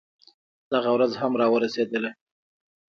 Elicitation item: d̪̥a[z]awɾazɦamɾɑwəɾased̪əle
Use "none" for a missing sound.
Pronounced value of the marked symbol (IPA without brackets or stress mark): ɣ